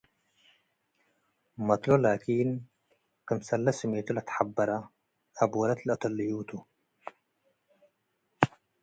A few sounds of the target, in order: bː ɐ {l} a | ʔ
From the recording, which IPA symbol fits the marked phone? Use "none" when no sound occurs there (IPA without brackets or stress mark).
ɾ